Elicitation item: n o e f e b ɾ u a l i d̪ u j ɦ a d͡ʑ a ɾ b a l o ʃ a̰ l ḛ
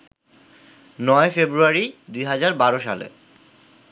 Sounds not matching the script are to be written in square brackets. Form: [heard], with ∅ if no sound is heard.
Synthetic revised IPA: n [ɔ] e f e b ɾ u a [ɾ] i d̪ u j ɦ a d͡ʑ a ɾ b a [ɾ] o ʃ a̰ l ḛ